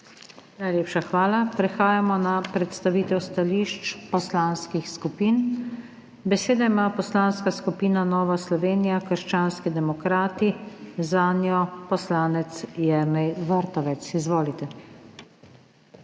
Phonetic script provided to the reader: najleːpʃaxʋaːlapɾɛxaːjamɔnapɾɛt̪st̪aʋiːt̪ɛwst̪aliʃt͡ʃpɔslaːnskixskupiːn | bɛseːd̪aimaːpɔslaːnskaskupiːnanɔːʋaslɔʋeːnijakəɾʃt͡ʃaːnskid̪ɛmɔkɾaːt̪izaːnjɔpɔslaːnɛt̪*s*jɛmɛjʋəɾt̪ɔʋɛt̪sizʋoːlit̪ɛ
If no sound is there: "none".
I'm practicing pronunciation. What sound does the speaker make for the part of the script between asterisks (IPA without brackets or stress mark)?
s